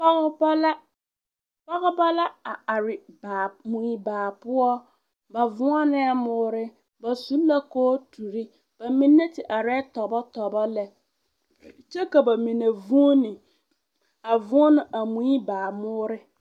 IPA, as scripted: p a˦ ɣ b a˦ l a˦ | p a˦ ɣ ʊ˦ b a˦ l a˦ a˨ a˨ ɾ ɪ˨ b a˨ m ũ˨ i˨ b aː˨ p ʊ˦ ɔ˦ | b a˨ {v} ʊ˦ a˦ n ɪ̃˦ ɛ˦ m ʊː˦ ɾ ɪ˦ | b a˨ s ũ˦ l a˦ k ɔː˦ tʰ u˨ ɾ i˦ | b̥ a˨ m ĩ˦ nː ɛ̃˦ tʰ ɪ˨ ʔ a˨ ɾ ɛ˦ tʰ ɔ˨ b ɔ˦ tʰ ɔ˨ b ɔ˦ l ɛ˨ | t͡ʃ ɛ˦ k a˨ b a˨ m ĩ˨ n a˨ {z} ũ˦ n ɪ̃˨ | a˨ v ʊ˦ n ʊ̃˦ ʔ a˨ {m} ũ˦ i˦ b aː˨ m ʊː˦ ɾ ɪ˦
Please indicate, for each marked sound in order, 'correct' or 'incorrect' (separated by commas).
correct, incorrect, correct